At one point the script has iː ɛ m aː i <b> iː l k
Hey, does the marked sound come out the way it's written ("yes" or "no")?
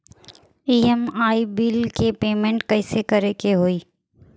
yes